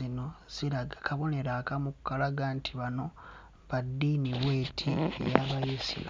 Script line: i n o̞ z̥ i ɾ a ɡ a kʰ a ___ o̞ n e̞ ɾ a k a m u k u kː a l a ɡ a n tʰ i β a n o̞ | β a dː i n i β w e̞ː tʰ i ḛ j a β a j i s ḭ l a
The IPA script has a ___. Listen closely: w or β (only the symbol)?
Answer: β